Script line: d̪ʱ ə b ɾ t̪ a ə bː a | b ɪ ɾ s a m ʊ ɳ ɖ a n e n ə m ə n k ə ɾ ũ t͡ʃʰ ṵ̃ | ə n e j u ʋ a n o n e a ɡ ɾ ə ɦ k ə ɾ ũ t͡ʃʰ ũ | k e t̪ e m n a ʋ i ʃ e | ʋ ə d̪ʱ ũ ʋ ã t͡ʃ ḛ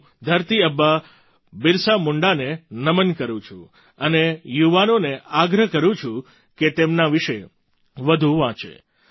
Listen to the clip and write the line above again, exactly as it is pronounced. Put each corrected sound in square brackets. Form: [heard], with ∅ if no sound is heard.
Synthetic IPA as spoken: d̪ʱ ə [∅] ɾ t̪ [i] ə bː a | b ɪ ɾ s a m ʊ ɳ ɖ a n e n ə m ə n k ə ɾ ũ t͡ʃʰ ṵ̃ | ə n e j u ʋ a n o n e a ɡ ɾ ə ɦ k ə ɾ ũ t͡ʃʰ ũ | k e t̪ e m n a ʋ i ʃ e | ʋ ə d̪ʱ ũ ʋ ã t͡ʃ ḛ